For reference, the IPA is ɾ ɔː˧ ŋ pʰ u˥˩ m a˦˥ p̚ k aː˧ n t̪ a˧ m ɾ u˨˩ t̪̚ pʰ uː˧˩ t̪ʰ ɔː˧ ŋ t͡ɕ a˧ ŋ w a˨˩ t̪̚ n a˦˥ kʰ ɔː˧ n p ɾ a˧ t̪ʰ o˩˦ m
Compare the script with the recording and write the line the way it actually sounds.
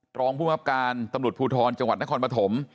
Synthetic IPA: ɾ ɔː˧ ŋ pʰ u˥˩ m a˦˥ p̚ k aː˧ n t̪ a˧ m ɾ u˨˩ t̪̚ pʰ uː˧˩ t̪ʰ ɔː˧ n t͡ɕ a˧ ŋ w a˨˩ t̪̚ n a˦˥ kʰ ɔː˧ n p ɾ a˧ t̪ʰ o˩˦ m